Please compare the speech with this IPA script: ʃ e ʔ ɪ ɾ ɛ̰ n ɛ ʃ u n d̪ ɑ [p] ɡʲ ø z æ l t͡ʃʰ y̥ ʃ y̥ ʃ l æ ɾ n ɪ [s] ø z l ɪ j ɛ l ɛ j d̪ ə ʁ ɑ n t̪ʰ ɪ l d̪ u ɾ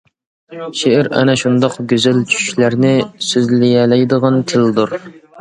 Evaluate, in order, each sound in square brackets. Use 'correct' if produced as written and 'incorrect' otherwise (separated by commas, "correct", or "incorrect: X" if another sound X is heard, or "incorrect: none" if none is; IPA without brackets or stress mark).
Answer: incorrect: q, correct